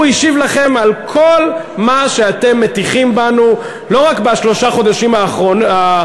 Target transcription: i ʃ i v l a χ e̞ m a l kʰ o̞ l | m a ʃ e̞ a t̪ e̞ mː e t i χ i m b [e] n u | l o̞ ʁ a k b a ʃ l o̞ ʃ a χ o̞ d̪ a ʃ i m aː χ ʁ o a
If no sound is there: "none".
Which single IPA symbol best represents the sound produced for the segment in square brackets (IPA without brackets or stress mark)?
a